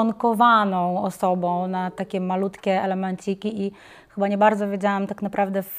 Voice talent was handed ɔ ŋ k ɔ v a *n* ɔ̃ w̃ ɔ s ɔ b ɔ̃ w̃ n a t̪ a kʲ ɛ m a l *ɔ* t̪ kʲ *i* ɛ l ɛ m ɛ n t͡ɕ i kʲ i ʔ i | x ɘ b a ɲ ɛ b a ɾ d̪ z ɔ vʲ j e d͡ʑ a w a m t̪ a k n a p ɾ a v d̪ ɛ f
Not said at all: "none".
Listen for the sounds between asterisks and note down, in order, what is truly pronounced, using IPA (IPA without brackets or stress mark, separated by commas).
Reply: n, u, ɛ